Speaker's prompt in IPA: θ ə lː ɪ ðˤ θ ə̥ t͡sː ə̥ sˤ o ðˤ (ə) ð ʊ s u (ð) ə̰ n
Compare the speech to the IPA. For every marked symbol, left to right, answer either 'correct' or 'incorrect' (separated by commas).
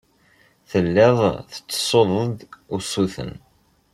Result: correct, incorrect